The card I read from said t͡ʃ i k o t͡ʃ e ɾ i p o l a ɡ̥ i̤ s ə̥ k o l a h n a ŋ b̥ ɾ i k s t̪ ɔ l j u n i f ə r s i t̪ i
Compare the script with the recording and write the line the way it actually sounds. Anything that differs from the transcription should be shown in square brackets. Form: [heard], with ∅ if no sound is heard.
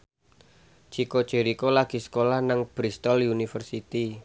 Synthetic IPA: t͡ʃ i k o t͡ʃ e ɾ i [k] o l a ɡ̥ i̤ s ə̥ k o l a h n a ŋ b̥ ɾ i [∅] s t̪ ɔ l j u n i f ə r s i t̪ i